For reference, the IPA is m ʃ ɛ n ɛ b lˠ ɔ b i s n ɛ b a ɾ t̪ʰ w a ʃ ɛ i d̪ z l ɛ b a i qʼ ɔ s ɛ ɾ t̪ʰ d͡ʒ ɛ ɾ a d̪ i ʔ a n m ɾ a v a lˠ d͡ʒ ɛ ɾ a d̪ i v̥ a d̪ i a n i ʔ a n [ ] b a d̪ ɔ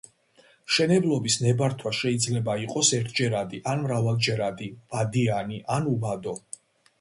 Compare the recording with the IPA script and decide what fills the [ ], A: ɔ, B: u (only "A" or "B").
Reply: B